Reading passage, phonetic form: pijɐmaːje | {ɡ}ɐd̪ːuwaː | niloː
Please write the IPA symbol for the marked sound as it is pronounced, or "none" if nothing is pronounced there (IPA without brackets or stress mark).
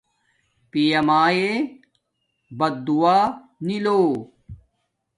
b